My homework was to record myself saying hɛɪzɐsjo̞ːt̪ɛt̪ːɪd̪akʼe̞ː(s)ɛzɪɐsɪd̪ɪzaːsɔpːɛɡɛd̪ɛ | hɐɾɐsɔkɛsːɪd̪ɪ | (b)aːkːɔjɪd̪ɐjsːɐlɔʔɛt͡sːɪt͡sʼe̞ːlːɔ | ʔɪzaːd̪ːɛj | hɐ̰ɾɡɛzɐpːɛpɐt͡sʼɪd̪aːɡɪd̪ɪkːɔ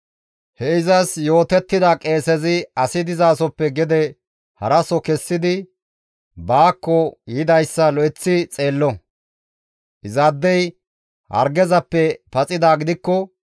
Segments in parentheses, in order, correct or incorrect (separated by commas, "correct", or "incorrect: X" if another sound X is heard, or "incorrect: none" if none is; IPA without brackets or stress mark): correct, correct